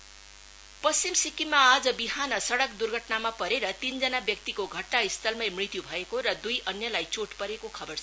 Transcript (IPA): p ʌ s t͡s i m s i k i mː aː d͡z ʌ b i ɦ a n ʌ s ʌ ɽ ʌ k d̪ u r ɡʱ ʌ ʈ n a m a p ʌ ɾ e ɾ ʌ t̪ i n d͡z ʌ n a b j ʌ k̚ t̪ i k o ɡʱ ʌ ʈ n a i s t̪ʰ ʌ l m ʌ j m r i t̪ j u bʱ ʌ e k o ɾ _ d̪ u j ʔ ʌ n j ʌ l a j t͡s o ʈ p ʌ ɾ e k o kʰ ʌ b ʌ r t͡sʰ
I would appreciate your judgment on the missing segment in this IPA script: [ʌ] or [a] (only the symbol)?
ʌ